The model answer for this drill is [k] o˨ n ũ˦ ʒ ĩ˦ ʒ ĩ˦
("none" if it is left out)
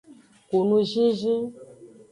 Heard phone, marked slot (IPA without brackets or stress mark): k